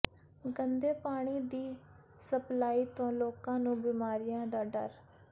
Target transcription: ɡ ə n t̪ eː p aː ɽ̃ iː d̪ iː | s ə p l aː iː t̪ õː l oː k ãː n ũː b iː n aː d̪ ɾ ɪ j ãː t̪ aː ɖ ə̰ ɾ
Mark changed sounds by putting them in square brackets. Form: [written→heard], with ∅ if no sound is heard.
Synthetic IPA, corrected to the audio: ɡ ə n [t̪→d̪] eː p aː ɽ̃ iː d̪ iː | s ə p l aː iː t̪ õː l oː k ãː n ũː b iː [n→m] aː [d̪→∅] ɾ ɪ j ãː [t̪→d̪] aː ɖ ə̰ ɾ